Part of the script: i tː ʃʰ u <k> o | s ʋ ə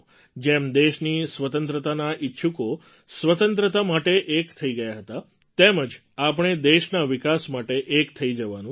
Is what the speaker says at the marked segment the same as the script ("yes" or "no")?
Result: yes